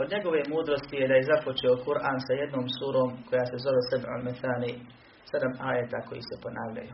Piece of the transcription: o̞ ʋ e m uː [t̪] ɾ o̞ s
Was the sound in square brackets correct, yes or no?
no